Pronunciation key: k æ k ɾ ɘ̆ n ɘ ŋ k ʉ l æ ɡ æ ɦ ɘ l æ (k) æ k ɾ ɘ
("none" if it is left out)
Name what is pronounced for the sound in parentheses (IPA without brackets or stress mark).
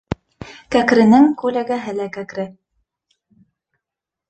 k